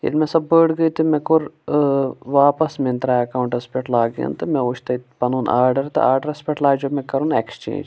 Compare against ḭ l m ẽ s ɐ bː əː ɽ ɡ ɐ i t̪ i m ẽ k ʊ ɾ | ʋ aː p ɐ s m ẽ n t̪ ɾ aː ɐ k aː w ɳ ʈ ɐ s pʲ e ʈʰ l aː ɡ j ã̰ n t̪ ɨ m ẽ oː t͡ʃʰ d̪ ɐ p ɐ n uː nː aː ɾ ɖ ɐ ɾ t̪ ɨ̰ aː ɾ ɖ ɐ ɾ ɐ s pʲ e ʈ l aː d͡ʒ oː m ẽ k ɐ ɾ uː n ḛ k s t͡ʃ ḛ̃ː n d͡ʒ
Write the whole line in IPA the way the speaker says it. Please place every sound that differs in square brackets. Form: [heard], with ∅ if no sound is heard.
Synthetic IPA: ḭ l m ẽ s ɐ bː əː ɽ ɡ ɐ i t̪ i m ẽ k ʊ ɾ | ʋ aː p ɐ s m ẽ n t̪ ɾ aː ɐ k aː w ɳ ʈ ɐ s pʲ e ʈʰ l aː ɡ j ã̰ n t̪ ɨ m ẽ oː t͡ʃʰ [t̪] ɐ p ɐ n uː [n] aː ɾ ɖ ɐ ɾ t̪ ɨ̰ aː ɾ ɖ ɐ ɾ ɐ s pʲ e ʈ l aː d͡ʒ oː m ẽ k ɐ ɾ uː n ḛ k s t͡ʃ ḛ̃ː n d͡ʒ

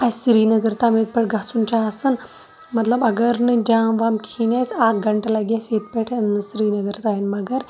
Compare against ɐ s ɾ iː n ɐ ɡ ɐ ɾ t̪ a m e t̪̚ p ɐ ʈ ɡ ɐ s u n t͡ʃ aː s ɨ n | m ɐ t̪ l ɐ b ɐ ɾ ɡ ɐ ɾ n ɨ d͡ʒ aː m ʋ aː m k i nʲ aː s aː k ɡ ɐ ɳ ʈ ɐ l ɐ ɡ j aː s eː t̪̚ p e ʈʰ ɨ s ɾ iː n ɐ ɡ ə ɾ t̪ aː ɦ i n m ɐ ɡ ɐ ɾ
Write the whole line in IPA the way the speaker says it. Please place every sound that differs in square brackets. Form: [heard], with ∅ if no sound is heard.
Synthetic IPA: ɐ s ɾ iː n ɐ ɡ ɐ ɾ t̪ a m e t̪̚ p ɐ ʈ ɡ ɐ s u n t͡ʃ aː s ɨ n | m ɐ t̪ l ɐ b ɐ [∅] ɡ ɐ ɾ n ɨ d͡ʒ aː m ʋ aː m k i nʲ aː s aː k ɡ ɐ ɳ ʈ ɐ l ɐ ɡ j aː s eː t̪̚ p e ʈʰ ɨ s ɾ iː n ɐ ɡ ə ɾ t̪ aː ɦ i n m ɐ ɡ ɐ ɾ

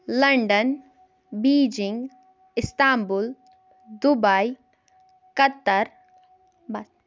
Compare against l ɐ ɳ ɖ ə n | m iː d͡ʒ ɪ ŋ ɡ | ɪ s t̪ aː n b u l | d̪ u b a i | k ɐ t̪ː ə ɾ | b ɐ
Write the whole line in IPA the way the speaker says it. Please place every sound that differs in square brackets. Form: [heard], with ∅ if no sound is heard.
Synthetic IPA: l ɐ ɳ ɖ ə n | [b] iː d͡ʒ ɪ ŋ ɡ | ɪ s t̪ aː [m] b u l | d̪ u b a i | k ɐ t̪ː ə ɾ | b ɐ

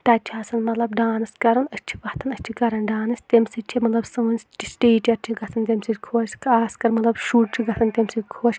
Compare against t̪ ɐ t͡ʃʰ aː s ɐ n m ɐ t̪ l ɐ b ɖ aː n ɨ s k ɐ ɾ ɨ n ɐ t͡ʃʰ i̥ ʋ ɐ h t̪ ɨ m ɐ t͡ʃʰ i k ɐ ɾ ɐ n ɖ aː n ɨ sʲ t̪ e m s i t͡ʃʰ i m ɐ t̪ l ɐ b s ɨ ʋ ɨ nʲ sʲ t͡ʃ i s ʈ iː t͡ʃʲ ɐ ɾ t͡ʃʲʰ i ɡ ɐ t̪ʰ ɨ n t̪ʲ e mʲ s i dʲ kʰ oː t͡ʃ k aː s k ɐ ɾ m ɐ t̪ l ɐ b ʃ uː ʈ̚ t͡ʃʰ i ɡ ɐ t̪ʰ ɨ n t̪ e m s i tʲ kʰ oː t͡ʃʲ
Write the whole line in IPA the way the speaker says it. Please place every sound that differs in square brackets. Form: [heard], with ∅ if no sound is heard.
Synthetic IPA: t̪ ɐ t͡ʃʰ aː s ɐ n m ɐ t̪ l ɐ b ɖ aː n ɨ s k ɐ ɾ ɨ n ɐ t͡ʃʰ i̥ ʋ ɐ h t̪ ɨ [n] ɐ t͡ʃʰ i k ɐ ɾ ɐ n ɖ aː n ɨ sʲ t̪ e m s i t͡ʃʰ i m ɐ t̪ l ɐ b s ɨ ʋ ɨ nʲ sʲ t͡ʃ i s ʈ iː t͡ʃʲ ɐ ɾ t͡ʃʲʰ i ɡ ɐ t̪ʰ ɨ n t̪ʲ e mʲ s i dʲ kʰ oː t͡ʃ k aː s k ɐ ɾ m ɐ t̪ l ɐ b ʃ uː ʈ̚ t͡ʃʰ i ɡ ɐ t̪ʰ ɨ n t̪ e m s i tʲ kʰ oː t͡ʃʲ

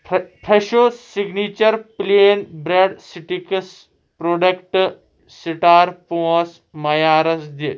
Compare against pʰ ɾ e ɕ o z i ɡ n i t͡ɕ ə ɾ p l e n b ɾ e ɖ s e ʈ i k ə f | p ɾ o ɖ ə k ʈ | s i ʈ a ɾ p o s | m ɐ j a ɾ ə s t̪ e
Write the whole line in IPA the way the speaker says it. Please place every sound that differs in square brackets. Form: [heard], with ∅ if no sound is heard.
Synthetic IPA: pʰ ɾ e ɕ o [s] i ɡ n i t͡ɕ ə ɾ p l e n b ɾ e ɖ s [i] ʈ i k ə [s] | p ɾ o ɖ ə k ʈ | s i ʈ a ɾ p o s | m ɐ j a ɾ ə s [d̪] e

